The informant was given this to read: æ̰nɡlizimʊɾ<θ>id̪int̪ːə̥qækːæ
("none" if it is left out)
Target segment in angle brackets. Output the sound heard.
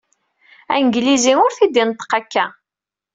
θ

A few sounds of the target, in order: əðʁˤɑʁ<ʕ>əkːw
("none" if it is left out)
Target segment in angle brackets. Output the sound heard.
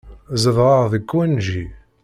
ð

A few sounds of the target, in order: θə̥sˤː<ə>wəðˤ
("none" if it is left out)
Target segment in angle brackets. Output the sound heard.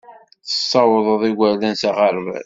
ɑ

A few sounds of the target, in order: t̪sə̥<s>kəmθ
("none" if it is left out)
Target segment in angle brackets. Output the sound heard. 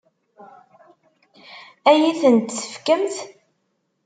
f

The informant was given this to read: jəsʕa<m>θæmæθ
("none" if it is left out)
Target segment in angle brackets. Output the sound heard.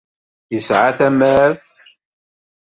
none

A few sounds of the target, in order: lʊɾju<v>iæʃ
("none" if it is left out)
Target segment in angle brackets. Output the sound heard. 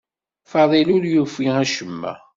f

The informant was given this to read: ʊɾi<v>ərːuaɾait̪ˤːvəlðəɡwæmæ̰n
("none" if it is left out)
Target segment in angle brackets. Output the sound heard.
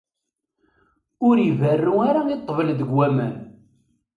v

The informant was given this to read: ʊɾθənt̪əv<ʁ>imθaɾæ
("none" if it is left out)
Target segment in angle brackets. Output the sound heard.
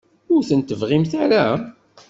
ʁ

